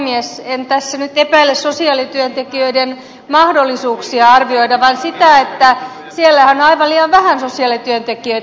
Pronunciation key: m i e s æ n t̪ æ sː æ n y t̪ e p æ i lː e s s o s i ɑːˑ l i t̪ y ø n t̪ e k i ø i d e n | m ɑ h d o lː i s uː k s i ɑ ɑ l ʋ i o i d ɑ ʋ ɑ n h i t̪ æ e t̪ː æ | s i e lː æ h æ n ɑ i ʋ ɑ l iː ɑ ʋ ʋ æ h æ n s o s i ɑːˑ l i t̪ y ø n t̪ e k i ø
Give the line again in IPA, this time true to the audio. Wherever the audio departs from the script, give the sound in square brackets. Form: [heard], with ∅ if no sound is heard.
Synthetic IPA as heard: m i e s [e] n t̪ æ sː æ n y t̪ e p æ i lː e s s o s i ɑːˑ l i t̪ y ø n t̪ e k i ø i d e n | m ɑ h d o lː i s uː k s i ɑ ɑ [r] ʋ i o i d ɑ ʋ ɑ n [s] i t̪ æ e t̪ː æ | s i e lː æ h æ n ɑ i ʋ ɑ l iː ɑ ʋ ʋ æ h æ n s o s i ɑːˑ l i t̪ y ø n t̪ e k i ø